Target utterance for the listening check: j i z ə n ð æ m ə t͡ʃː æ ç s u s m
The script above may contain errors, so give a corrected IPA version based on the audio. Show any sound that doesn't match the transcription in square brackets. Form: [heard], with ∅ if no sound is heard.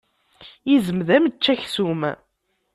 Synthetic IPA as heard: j i z ə [m] ð æ m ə t͡ʃː æ ç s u [∅] m